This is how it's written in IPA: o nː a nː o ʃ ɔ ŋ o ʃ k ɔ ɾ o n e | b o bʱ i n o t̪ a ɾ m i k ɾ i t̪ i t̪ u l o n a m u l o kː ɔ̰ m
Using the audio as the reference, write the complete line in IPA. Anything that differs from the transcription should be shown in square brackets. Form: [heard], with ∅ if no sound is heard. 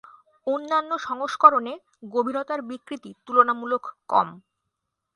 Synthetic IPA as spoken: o nː a nː o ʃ ɔ ŋ o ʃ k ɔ ɾ o n e | [ɡ] o bʱ i n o t̪ a ɾ [b] i k ɾ i t̪ i t̪ u l o n a m u l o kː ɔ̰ m